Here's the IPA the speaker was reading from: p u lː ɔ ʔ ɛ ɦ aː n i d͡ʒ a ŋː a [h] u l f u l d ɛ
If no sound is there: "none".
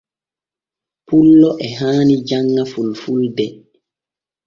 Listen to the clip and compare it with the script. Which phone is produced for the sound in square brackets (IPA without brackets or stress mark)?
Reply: f